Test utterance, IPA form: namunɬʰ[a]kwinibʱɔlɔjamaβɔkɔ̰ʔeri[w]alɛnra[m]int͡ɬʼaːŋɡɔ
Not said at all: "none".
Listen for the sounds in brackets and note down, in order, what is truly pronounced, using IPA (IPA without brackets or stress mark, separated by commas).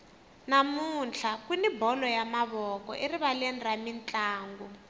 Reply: a, β, m